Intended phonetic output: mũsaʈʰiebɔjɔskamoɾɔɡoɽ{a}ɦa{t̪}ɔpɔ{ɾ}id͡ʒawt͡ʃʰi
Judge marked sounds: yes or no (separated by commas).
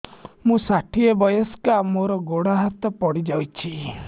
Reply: yes, yes, no